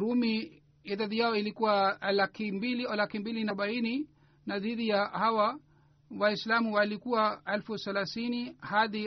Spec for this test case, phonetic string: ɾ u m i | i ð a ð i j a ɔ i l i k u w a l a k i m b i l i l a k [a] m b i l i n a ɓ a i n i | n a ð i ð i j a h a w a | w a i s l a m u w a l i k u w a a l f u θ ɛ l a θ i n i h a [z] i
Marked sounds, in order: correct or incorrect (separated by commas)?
incorrect, incorrect